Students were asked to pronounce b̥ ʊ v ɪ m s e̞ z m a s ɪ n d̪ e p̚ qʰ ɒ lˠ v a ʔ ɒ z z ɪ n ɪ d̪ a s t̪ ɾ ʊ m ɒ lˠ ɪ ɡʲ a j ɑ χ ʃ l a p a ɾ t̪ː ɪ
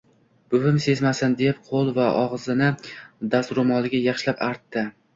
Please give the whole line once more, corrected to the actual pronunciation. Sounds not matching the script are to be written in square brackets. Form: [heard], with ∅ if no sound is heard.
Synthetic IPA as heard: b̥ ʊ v ɪ m s e̞ z m a s ɪ n d̪ e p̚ qʰ [o] lˠ v a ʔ ɒ [ʁ] z ɪ n ɪ d̪ a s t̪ ɾ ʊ m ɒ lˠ ɪ ɡʲ a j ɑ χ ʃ l a p a ɾ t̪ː ɪ